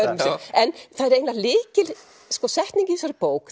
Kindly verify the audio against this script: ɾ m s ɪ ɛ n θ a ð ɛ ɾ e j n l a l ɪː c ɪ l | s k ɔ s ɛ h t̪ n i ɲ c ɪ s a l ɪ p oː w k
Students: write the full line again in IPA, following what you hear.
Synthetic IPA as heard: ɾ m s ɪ ɛ n θ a ð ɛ ɾ e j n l a l ɪː c ɪ l | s k ɔ s ɛ h t̪ n i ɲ c ɪ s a ɾ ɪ p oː w k

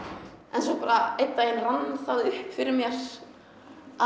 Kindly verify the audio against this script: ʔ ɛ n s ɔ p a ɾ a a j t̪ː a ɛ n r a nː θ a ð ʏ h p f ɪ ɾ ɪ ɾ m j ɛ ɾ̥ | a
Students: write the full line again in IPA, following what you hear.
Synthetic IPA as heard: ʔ ɛ n s ɔ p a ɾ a e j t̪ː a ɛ n r a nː θ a ð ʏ h p f ɪ ɾ ɪ ɾ m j ɛ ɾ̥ | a

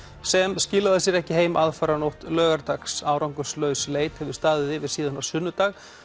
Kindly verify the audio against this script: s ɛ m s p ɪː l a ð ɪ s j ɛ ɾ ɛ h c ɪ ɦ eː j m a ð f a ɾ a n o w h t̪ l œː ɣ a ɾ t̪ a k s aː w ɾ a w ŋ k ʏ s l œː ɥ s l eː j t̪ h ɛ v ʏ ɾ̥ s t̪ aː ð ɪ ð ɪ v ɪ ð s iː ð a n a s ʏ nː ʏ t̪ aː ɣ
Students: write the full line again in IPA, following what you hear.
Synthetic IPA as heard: s ɛ m s c ɪː l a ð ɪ s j ɛ ɾ ɛ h c ɪ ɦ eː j m a ð f a ɾ a n o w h t̪ l œː ɣ a ɾ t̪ a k s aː w ɾ a w ŋ k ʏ s l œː ɥ s l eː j t̪ h ɛ v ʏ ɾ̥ s t̪ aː ð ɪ ð ɪ v ɪ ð s iː ð a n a s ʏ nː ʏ t̪ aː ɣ

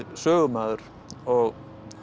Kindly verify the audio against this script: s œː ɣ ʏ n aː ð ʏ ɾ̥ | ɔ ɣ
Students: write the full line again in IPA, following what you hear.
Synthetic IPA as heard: s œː ɣ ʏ m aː ð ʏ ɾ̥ | ɔ ɣ

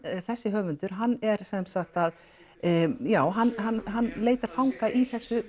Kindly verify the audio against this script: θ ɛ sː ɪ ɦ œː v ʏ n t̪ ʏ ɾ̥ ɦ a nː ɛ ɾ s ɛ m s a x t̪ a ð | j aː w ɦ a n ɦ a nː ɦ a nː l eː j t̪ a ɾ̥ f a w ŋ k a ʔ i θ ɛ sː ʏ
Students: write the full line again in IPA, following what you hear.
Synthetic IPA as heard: θ ɛ sː ɪ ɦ œː v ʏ n t̪ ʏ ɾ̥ ɦ a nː ɛ ɾ s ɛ m s a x t̪ a ð | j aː w ɦ a n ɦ a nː ɦ a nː l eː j t̪ a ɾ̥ f a w ŋ k a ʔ i θ ɛ sː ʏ

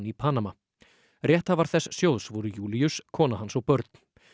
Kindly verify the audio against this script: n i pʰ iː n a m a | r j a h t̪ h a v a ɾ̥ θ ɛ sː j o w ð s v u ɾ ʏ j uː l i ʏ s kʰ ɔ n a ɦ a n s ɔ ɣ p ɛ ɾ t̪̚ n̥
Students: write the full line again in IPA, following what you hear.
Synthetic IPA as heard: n i pʰ aː n a m a | r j ɛ h t̪ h a v a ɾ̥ θ ɛ sː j o w ð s v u ɾ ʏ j uː l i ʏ s kʰ ɔː n a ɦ a n s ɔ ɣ p œ ɾ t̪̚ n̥

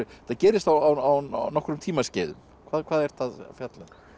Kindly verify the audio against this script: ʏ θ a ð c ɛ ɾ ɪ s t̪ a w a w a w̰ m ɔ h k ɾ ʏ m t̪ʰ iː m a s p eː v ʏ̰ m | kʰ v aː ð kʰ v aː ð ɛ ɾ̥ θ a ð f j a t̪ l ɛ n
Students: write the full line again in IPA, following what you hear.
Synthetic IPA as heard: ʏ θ a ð c ɛː ɾ ɪ s t̪ a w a w a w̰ n ɔ h k ɾ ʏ m t̪ʰ iː m a s c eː ð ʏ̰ m | kʰ v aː ð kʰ v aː ð ɛ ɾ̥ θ a ð f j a t̪ l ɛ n

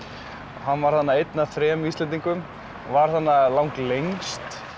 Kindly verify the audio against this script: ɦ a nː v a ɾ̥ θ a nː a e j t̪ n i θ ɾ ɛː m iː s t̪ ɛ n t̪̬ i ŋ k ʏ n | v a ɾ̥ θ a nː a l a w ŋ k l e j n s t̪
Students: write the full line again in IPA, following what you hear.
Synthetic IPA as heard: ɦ a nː v a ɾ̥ θ a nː a e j t̪ n a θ ɾ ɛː m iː s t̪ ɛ n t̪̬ i ŋ k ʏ m | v a ɾ̥ θ a nː a l a w ŋ k l e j ŋ s t̪

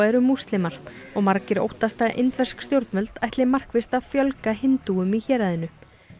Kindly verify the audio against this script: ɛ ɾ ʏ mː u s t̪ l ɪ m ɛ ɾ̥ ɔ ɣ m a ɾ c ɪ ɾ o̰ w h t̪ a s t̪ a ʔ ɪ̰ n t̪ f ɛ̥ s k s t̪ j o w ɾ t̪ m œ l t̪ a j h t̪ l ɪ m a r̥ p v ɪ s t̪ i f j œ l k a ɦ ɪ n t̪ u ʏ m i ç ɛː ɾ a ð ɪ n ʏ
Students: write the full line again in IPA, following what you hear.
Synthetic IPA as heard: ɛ ɾ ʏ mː u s t̪ l ɪ m a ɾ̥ ɔ ɣ m a ɾ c ɪ ɾ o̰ w h t̪ a s t̪ a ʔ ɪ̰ n t̪ v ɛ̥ s k s t̪ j o w ɾ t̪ m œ l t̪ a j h t̪ l ɪ m a r̥ k v ɪ s t̪ a f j œ l k a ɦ ɪ n t̪ u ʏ m i ç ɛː ɾ a ð ɪ n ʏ

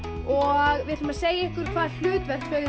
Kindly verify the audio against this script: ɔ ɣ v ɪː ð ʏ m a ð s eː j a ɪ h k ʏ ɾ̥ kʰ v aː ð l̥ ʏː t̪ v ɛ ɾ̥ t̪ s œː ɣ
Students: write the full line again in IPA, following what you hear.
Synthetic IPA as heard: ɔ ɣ v ɪ ð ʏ m a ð s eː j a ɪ h k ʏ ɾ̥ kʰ v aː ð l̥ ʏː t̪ v ɛ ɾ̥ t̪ f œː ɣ

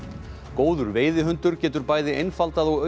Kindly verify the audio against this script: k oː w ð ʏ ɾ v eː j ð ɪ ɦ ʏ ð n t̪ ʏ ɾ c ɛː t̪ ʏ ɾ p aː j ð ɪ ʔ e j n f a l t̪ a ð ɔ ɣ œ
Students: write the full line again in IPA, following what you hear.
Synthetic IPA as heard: k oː w ð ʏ ɾ v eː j ð ɪ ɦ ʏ n t̪ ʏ ɾ c ɛː t̪ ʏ ɾ p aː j ð ɪ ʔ e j n f a l t̪ a ð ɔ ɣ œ

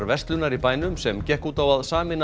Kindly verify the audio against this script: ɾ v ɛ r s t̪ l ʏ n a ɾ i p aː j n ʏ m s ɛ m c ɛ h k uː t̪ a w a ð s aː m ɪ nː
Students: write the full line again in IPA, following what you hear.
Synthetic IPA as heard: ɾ v ɛ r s t̪ l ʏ n a ɾ i p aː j n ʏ m s ɛ m c ɛ h k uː t̪ a w a ð s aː m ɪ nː

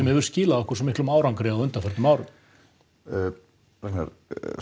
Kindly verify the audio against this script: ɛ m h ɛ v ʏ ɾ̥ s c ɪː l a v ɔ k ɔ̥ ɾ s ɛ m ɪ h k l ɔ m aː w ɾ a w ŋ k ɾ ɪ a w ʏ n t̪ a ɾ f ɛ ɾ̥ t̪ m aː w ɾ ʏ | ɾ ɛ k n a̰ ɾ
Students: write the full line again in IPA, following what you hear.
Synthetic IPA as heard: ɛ m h ɛ v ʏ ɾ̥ s c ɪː l a ð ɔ k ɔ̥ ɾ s ɛ m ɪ h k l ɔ m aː w ɾ a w ŋ k ɾ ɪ a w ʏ n t̪ a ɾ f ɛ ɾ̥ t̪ m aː w ɾ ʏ | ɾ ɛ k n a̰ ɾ

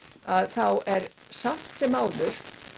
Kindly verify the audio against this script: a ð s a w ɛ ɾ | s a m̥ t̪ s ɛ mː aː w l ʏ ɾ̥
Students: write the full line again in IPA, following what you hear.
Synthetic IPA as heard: a ð θ a w ɛ ɾ | s a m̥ t̪ s ɛ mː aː w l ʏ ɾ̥

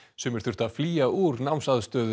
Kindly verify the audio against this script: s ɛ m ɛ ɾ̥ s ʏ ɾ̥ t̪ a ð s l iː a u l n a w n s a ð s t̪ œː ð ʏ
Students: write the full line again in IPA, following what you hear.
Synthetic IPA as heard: s ɛ m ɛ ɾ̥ θ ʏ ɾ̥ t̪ a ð f l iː a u ɾ n a w m s a ð s t̪ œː ð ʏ

